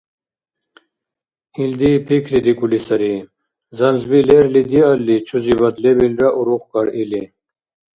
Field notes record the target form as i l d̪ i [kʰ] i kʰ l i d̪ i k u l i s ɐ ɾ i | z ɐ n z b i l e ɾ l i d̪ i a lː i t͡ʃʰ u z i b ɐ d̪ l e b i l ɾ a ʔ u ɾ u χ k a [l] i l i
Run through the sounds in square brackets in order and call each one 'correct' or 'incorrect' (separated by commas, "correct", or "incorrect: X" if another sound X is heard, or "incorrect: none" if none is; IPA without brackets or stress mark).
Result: incorrect: pʰ, incorrect: ɾ